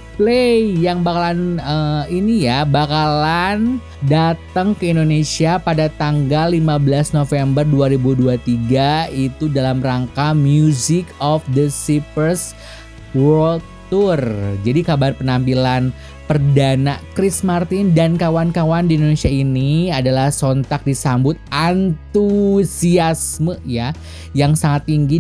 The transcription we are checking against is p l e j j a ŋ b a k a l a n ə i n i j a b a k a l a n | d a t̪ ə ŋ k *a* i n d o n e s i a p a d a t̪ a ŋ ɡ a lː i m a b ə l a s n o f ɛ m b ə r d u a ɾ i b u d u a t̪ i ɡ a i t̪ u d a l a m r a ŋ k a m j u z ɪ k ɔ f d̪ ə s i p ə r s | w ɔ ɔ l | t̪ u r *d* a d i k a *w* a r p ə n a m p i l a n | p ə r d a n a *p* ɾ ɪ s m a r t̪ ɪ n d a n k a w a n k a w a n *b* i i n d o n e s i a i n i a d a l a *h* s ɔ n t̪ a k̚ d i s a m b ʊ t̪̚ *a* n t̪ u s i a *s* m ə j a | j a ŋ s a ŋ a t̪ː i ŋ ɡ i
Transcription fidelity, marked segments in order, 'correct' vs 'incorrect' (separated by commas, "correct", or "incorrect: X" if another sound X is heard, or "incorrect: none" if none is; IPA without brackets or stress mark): incorrect: ə, incorrect: d͡ʒ, incorrect: b, incorrect: k, incorrect: d, correct, correct, correct